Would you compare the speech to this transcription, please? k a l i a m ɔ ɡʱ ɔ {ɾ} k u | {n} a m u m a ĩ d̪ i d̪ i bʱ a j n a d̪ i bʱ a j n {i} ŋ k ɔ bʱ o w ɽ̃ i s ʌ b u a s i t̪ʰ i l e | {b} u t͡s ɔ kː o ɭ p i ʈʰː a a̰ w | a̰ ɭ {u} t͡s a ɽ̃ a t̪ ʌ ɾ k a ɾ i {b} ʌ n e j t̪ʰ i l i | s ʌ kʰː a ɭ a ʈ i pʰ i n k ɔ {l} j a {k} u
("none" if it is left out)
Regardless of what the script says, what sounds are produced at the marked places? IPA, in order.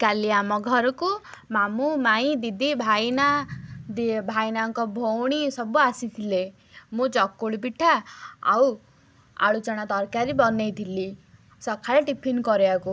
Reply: ɾ, m, a, m, u, b, ɾ, k

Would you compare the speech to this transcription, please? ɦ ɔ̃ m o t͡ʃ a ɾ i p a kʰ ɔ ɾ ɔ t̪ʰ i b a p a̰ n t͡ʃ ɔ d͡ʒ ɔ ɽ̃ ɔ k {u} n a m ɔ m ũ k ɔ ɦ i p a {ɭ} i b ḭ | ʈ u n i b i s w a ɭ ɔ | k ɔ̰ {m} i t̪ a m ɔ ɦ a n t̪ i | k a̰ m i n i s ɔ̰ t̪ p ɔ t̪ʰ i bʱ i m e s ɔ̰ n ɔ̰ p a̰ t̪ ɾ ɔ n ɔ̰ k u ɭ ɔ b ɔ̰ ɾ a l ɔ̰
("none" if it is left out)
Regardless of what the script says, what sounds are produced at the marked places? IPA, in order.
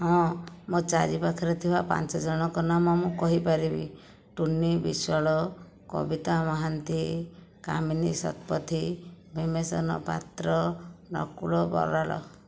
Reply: ɔ, ɾ, b

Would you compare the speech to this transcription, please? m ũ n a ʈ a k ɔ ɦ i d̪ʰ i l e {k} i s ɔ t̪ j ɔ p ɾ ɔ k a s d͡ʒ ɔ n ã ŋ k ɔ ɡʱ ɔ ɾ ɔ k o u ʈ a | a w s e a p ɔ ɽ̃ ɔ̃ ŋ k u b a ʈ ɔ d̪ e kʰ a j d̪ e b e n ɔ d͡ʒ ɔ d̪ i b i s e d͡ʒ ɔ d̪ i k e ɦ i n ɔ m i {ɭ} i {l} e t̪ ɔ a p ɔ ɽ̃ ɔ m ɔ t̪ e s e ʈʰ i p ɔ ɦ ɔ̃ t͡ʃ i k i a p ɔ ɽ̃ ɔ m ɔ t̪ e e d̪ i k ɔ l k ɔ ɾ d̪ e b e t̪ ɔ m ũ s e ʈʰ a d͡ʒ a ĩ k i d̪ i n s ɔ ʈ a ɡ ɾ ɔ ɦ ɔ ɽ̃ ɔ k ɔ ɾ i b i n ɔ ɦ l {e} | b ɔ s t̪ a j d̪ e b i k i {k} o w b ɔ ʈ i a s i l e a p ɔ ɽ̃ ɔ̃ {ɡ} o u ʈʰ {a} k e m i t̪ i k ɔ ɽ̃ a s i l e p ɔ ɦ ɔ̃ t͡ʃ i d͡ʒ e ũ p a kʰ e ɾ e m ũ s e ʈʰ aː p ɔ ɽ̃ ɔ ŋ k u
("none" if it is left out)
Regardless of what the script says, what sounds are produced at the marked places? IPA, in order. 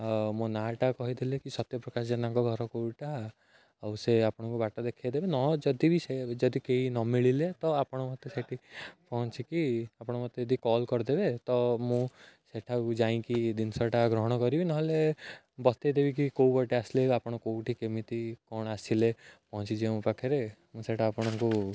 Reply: k, ɭ, l, e, k, k, i

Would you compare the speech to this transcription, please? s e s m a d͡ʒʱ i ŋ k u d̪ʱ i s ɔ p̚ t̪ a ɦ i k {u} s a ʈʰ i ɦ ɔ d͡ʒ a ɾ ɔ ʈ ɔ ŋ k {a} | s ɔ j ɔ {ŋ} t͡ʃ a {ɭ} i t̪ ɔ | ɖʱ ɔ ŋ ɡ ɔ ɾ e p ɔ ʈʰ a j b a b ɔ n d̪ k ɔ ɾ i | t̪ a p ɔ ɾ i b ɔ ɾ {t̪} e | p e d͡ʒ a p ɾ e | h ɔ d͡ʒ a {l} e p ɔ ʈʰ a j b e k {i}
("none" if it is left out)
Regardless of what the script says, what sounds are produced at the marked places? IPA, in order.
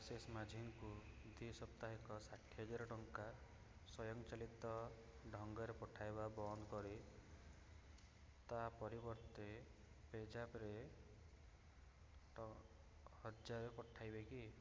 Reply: ɔ, a, ŋ, l, t̪, ɾ, i

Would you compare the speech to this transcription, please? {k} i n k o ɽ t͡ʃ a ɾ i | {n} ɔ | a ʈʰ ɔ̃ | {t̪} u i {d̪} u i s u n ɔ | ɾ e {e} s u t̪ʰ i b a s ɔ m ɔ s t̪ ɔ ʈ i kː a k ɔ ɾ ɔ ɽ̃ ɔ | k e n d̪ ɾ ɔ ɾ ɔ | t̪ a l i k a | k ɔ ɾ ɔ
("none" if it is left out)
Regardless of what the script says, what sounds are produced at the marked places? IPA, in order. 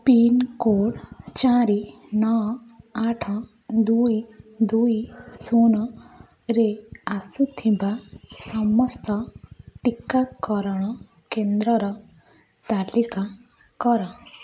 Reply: p, n, d̪, d̪, a

